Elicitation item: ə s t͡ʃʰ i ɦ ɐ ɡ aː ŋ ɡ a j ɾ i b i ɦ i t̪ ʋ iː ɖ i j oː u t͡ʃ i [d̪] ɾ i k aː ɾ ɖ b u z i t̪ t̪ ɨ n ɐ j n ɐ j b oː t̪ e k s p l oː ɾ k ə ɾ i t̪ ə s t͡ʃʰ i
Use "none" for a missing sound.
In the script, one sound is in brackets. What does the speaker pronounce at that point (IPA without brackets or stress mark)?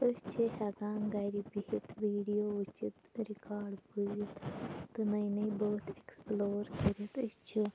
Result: t̪